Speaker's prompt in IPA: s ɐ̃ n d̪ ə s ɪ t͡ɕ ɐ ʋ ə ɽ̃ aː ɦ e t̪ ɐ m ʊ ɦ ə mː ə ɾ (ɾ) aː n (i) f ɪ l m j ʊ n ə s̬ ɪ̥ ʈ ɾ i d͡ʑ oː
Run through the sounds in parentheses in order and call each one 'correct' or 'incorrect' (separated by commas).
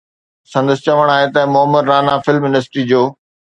correct, incorrect